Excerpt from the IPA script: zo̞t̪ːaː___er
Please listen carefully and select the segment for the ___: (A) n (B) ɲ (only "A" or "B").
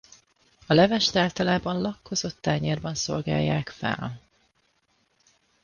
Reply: B